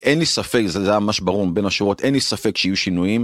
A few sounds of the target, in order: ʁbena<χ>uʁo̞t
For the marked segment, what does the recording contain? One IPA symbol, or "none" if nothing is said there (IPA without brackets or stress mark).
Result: ʃ